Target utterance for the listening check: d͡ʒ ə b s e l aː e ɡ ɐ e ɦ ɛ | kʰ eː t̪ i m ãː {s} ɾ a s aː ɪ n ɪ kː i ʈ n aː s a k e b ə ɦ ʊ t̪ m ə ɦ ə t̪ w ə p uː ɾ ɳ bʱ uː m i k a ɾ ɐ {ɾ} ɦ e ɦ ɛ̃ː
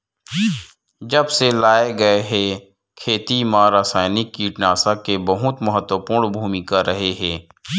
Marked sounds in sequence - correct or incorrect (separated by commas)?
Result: incorrect, incorrect